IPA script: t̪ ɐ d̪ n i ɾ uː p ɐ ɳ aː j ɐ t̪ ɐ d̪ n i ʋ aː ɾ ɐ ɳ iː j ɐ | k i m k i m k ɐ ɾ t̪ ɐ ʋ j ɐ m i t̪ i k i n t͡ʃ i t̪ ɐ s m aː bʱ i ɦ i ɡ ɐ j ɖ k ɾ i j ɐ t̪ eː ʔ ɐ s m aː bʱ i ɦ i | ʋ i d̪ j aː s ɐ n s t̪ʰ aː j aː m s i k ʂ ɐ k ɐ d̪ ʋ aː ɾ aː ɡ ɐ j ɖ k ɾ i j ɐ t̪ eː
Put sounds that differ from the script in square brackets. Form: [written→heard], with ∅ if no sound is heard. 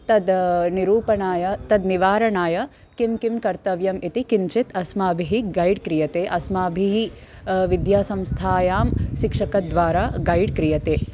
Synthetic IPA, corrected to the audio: t̪ ɐ d̪ n i ɾ uː p ɐ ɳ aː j ɐ t̪ ɐ d̪ n i ʋ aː ɾ ɐ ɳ [iː→aː] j ɐ | k i m k i m k ɐ ɾ t̪ ɐ ʋ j ɐ m i t̪ i k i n t͡ʃ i t̪ ɐ s m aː bʱ i ɦ i ɡ ɐ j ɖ k ɾ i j ɐ t̪ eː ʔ ɐ s m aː bʱ i ɦ i | ʋ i d̪ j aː s ɐ [n→m] s t̪ʰ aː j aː m [s→ʃ] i k ʂ ɐ k ɐ d̪ ʋ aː ɾ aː ɡ ɐ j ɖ k ɾ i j ɐ t̪ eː